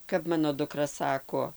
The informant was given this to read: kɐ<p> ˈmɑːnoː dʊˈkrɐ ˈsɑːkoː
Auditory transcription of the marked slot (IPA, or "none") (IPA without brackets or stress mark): p